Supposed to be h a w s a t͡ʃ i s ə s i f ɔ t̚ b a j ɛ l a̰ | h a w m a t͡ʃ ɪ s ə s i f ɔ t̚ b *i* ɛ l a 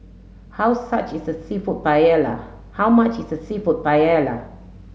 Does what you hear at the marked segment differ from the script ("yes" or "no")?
yes